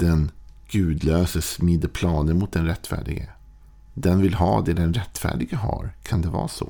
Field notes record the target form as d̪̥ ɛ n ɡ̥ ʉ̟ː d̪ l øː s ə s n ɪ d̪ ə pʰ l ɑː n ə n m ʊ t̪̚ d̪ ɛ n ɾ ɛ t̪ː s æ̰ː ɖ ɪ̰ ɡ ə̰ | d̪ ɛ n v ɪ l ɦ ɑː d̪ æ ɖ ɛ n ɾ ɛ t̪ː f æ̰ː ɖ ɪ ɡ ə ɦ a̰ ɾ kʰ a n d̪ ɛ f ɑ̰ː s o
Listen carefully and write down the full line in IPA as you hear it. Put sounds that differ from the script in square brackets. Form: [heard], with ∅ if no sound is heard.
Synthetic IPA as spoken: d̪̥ ɛ n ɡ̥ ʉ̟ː d̪ l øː s ə s [m] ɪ d̪ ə pʰ l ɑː n ə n m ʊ t̪̚ d̪ ɛ n ɾ ɛ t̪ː [f] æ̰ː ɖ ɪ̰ ɡ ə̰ | d̪ ɛ n v ɪ l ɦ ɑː d̪ [ɛ] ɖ ɛ n ɾ ɛ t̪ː f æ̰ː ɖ ɪ ɡ ə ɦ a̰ ɾ kʰ a n d̪ ɛ [v] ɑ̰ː s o